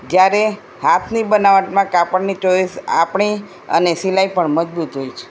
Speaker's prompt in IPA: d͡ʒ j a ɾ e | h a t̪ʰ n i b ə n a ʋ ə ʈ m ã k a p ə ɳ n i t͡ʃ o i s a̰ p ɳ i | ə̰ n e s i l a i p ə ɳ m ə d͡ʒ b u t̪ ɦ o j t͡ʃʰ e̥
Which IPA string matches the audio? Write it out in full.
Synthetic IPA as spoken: d͡ʒ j a ɾ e | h a t̪ʰ n i b ə n a ʋ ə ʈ m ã k a p ə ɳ n i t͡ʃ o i s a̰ p ɳ i | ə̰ n e s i l a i p ə ɳ m ə d͡ʒ b u t̪ ɦ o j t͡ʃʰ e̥